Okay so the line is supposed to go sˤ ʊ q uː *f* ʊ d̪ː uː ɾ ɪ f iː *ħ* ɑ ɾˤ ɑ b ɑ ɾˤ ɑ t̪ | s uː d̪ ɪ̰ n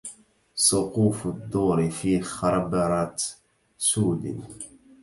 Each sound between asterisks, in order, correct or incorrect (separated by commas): correct, incorrect